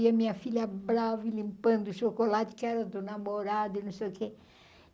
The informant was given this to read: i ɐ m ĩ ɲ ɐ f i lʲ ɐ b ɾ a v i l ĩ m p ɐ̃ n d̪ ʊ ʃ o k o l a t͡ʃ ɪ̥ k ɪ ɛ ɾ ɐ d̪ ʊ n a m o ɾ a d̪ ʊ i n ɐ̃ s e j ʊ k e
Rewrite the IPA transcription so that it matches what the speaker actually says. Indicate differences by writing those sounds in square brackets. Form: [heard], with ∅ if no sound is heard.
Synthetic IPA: i ɐ m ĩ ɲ ɐ f i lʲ ɐ b ɾ a v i l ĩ m p ɐ̃ n d̪ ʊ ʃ o k o l a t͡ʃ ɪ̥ k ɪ ɛ ɾ ɐ d̪ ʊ n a m o ɾ a d̪ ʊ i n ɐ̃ s e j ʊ k e

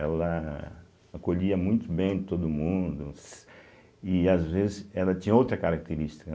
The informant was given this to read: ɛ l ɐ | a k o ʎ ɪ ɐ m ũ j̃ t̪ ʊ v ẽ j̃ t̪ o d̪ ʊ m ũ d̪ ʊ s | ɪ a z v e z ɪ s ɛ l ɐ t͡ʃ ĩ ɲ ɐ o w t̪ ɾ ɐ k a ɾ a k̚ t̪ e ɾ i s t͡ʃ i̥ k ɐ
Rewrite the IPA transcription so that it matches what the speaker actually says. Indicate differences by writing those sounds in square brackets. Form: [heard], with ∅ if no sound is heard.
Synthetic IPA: ɛ l ɐ | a k o ʎ [i] ɐ m ũ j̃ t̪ ʊ [b] ẽ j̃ t̪ o d̪ ʊ m ũ d̪ ʊ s | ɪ a z v e z ɪ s ɛ l ɐ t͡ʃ ĩ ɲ ɐ o w t̪ ɾ ɐ k a ɾ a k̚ t̪ e ɾ i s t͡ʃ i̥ k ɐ

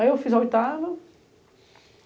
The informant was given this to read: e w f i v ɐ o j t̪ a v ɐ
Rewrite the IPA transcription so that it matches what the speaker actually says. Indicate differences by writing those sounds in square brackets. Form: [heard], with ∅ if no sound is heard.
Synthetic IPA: e w f i [z] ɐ o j t̪ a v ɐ

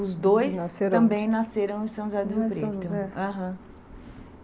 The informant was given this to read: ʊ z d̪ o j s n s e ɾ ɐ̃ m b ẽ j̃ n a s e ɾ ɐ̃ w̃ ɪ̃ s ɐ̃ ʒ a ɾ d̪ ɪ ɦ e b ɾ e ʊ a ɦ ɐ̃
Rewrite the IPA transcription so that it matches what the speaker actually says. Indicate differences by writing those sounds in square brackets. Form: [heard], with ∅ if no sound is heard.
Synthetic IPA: ʊ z d̪ o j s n s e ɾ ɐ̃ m b ẽ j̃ n a s e ɾ ɐ̃ w̃ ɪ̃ s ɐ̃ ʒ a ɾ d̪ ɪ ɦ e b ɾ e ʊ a ɦ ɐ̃

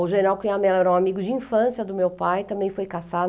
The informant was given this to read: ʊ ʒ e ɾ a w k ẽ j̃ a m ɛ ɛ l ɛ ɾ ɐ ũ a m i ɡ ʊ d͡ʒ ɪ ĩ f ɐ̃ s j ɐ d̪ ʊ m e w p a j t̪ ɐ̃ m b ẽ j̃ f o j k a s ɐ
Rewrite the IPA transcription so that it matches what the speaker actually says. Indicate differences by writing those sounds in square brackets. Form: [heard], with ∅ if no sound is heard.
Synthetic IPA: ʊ ʒ e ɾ a w k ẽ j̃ a m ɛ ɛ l ɛ ɾ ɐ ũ a m i ɡ ʊ d͡ʒ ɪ ĩ f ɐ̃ s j ɐ d̪ ʊ m e w p a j t̪ ɐ̃ m b ẽ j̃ f o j k a s [a]

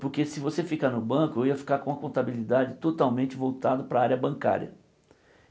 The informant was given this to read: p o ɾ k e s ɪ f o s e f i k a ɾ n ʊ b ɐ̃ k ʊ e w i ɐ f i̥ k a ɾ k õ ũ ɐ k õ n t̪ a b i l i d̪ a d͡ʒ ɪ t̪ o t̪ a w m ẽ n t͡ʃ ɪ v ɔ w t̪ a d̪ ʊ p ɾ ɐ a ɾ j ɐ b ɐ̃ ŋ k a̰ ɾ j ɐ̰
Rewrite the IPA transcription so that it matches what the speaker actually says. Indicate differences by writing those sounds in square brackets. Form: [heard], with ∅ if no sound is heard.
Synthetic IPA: p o ɾ k e s ɪ [v] o s e f i k a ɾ n ʊ b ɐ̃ k ʊ e w i ɐ f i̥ k a ɾ k õ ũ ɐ k õ n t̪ a b i l i d̪ a d͡ʒ ɪ t̪ o t̪ a w m ẽ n t͡ʃ ɪ v [o] w t̪ a d̪ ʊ p ɾ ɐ a ɾ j ɐ b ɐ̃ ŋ k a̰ ɾ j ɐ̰

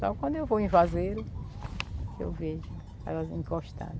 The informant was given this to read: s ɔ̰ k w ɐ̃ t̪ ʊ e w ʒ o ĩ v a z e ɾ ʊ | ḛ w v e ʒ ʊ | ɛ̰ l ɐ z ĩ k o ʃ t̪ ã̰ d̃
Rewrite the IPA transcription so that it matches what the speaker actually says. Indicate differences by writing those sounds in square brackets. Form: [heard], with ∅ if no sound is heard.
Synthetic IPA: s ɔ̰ k w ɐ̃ [d̪] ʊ e w [v] o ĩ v a z e ɾ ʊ | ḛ w v e ʒ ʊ | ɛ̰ l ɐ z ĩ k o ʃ t̪ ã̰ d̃

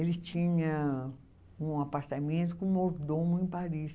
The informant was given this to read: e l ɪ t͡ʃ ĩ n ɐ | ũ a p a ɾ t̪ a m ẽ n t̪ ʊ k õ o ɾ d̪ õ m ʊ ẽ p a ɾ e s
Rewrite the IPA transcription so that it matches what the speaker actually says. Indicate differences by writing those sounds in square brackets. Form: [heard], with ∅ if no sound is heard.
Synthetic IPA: e l ɪ t͡ʃ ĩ [ɲ] ɐ | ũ a p a ɾ t̪ a m ẽ n t̪ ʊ k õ o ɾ d̪ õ m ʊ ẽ p a ɾ [i] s

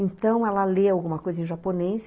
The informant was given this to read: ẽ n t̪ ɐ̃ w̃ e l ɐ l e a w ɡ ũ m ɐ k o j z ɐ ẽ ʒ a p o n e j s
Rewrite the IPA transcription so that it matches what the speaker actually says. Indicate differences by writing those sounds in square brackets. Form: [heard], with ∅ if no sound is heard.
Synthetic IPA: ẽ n t̪ ɐ̃ w̃ [ɛ] l ɐ l e a w ɡ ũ m ɐ k o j z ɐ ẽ ʒ a p o n e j s

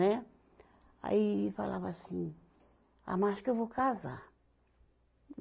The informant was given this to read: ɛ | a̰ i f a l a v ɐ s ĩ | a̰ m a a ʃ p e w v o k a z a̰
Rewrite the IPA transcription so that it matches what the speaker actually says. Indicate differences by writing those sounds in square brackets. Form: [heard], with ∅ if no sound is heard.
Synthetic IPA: ɛ | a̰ i f a l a v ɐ s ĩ | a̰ m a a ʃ [k] e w v o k a z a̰

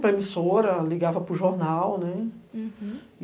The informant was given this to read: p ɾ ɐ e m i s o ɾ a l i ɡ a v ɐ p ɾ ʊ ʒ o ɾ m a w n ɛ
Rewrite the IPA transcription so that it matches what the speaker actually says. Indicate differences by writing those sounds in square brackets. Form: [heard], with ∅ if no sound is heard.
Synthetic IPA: p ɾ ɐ e m i s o ɾ [ɐ] l i ɡ a v ɐ p ɾ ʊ ʒ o ɾ [n] a w n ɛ

